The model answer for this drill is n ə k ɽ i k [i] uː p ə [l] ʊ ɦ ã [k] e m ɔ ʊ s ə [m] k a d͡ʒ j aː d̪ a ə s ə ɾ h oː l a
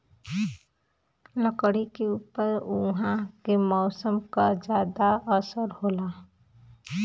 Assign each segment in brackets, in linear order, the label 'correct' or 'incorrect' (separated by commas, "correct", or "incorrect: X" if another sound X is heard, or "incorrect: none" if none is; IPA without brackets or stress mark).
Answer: incorrect: e, incorrect: ɾ, correct, correct